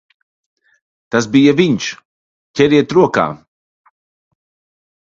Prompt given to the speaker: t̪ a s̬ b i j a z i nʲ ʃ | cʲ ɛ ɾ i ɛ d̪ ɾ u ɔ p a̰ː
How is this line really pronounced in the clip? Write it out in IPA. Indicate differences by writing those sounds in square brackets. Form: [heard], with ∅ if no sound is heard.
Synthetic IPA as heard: t̪ a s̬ b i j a [v] i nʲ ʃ | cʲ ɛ ɾ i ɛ [t̪] ɾ u ɔ [k] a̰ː